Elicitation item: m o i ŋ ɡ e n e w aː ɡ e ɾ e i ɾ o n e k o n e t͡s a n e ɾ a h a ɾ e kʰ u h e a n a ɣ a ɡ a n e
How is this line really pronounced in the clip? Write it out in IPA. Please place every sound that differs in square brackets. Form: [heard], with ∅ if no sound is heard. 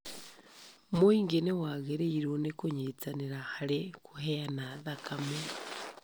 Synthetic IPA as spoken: m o i ŋ ɡ e n e w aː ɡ e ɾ e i ɾ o n e k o [ɲ] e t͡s a n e ɾ a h a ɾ e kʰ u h e a n a [ð] a [k] a [m] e